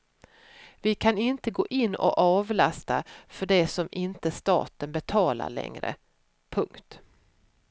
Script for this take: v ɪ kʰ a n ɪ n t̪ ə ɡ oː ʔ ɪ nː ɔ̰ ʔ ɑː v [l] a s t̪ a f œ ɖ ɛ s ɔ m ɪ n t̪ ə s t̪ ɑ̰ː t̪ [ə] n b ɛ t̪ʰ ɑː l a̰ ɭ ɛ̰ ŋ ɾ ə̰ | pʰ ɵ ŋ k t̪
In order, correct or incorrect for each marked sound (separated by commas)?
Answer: correct, correct